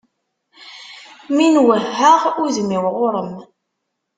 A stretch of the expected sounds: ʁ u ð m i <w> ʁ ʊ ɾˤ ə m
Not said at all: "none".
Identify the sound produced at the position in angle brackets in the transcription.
w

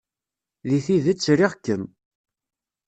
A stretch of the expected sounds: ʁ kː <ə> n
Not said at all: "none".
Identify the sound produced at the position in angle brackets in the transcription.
ə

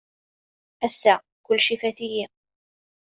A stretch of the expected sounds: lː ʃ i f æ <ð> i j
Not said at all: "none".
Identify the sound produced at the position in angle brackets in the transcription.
θ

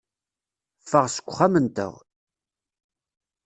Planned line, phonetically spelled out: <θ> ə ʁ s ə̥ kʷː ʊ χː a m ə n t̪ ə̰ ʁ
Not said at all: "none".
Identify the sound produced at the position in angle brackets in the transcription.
f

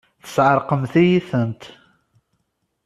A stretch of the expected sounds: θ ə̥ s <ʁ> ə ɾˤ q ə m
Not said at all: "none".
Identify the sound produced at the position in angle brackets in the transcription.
ʕ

